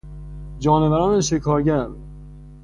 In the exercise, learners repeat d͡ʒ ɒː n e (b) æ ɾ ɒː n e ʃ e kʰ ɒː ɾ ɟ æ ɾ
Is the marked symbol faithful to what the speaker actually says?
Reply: no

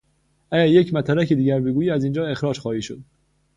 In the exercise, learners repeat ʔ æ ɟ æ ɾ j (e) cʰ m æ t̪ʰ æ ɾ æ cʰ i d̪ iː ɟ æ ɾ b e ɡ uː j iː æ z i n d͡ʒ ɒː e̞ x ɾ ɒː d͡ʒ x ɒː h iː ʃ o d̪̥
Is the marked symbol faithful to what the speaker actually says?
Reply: yes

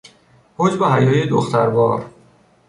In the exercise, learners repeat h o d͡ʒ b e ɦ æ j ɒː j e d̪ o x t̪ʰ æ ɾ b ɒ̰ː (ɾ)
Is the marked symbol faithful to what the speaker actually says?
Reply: yes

